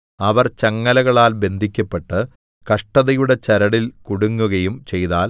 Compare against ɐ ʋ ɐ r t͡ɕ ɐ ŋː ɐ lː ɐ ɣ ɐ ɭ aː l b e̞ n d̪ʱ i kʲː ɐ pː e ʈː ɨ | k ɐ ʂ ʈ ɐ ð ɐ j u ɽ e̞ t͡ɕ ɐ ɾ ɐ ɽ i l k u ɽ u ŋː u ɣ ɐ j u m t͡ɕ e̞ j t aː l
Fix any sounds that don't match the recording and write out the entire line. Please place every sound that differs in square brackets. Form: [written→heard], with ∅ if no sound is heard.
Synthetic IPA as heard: ɐ ʋ ɐ r t͡ɕ ɐ ŋː ɐ [lː→l] ɐ ɣ ɐ ɭ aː l b e̞ n d̪ʱ i kʲː ɐ pː e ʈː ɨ | k ɐ ʂ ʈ ɐ ð ɐ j u ɽ e̞ t͡ɕ ɐ ɾ ɐ ɽ i l k u ɽ u ŋː u ɣ ɐ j u m t͡ɕ e̞ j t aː l